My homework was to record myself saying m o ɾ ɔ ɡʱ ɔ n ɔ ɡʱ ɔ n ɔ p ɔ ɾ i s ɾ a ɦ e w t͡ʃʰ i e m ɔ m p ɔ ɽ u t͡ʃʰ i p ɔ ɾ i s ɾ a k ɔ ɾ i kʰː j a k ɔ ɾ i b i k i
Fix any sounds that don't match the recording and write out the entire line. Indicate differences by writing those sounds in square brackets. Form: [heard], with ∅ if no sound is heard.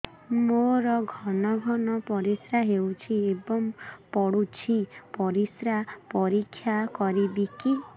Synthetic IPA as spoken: m o ɾ ɔ ɡʱ ɔ n ɔ ɡʱ ɔ n ɔ p ɔ ɾ i s ɾ a ɦ e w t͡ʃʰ i e [b] ɔ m p ɔ ɽ u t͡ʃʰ i p ɔ ɾ i s ɾ a [p] ɔ ɾ i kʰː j a k ɔ ɾ i b i k i